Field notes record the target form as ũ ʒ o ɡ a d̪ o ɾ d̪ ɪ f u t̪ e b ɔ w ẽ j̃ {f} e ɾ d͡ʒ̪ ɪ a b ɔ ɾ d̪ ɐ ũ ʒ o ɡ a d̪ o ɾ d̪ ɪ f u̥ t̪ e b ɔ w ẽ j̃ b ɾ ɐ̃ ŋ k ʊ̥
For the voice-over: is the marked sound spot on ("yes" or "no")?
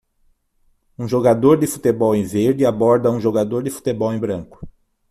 no